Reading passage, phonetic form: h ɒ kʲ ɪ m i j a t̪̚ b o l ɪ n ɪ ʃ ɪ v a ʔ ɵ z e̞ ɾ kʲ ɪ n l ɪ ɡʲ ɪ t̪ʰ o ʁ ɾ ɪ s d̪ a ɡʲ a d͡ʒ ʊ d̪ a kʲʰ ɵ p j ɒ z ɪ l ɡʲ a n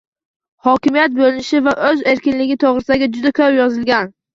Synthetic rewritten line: h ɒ kʲ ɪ m i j a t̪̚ b o l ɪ n ɪ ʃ ɪ v a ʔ ɵ z e̞ ɾ kʲ ɪ n l ɪ ɡʲ ɪ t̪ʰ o ʁ ɾ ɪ s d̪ a ɡʲ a d͡ʒ ʊ d̪ a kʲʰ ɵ p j ɒ z ɪ l ɡʲ a n